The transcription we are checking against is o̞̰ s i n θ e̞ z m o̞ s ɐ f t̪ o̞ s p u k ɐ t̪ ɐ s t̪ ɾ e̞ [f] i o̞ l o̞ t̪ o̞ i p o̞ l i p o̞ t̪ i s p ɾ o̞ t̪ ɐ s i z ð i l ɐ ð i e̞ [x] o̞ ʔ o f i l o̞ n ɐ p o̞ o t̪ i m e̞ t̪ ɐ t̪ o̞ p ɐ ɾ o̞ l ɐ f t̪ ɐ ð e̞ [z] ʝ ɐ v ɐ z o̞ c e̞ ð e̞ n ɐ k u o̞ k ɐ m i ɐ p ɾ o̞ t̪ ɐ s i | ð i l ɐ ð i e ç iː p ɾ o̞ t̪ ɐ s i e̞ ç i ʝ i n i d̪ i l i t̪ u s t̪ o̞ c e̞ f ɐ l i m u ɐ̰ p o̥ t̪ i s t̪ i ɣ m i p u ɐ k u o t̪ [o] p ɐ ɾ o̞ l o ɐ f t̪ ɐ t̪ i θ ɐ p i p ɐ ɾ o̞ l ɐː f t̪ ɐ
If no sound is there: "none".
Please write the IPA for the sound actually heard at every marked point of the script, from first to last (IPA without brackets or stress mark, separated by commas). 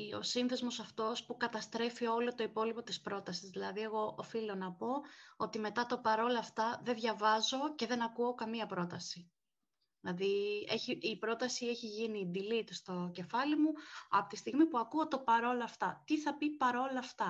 f, ɣ, ð, o